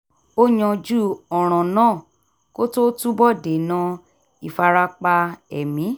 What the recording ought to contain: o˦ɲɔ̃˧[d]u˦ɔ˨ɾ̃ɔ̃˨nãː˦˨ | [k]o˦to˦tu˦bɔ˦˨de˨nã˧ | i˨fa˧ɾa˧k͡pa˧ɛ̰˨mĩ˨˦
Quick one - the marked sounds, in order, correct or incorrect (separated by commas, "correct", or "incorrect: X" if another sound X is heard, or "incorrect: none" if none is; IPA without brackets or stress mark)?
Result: incorrect: d͡ʒ, correct